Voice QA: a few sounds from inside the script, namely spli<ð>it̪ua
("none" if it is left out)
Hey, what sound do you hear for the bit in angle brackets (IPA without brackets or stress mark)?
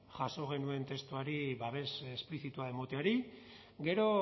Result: θ